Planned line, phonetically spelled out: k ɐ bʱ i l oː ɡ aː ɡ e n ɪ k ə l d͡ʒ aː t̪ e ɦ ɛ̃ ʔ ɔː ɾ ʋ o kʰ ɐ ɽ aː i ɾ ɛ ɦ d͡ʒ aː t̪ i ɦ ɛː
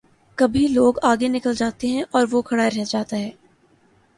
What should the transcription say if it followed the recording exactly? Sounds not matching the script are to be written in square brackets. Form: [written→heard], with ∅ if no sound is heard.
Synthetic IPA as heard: k ɐ bʱ i l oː ɡ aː ɡ e n ɪ k ə l d͡ʒ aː t̪ e ɦ ɛ̃ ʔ ɔː ɾ ʋ o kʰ ɐ ɽ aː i ɾ ɛ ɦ d͡ʒ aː t̪ [i→a] ɦ ɛː